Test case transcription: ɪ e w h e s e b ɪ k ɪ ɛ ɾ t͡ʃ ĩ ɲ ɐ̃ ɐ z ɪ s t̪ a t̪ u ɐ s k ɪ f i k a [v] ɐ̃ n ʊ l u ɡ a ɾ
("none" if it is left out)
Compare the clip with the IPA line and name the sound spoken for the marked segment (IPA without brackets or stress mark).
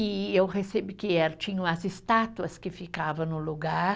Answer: v